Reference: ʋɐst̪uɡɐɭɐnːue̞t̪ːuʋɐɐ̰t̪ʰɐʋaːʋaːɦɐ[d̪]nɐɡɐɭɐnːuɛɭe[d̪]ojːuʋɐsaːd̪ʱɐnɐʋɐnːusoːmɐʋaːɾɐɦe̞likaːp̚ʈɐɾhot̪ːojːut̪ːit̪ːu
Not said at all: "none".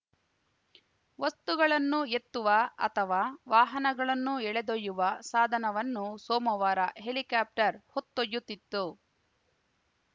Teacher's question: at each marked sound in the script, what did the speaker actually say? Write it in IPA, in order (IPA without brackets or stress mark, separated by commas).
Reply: none, d̪